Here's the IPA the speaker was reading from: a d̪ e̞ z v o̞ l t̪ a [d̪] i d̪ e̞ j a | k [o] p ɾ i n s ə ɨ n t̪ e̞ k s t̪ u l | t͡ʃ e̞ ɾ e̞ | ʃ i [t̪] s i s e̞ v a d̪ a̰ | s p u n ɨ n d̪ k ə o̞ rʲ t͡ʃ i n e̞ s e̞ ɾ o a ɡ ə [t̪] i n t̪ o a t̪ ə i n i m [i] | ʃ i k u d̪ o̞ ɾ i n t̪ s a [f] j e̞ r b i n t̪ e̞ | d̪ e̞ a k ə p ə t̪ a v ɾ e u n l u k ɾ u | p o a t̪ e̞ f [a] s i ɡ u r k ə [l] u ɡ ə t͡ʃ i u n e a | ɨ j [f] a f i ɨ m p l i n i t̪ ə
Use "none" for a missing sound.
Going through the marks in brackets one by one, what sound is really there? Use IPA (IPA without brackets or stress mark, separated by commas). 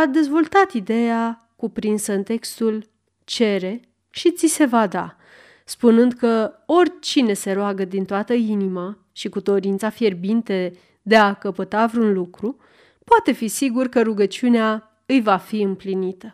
t̪, u, t̪, d̪, a, f, i, ɾ, v